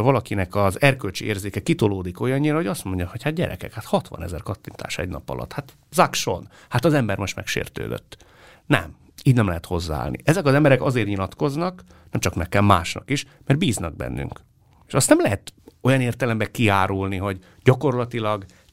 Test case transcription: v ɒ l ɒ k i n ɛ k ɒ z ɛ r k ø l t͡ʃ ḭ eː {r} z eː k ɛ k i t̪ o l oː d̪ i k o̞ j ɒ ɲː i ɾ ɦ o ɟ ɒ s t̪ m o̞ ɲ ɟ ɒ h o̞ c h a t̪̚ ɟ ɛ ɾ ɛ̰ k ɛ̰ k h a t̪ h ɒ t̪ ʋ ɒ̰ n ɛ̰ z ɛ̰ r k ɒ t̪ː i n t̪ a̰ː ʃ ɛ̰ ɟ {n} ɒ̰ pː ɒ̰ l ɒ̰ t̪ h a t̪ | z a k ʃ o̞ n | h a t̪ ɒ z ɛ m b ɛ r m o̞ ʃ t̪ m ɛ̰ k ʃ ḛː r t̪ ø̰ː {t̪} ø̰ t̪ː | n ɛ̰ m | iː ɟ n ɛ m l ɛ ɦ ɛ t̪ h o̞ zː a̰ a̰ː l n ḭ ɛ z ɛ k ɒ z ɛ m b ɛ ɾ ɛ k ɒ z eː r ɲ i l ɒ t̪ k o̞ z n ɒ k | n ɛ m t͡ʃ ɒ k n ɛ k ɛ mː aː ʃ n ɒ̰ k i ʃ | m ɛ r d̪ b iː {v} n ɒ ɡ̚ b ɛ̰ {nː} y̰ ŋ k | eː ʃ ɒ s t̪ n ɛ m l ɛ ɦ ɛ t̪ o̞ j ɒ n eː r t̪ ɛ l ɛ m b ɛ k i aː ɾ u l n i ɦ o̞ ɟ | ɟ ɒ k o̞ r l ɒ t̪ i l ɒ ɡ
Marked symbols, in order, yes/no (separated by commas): yes, yes, no, no, yes